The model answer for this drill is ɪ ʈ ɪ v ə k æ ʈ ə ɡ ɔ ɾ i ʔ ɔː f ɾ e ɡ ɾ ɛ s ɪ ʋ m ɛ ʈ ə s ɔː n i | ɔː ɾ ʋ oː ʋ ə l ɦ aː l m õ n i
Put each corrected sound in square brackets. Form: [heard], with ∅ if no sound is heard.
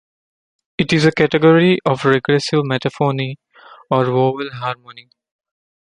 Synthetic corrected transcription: ɪ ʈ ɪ [z] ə k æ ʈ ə ɡ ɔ ɾ i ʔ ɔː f ɾ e ɡ ɾ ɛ s ɪ ʋ m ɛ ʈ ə [f] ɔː n i | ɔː ɾ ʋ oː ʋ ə l ɦ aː [ɾ] m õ n i